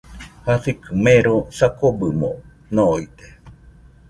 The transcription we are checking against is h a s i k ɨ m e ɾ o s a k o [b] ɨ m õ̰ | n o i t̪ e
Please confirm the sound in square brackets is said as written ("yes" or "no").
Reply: yes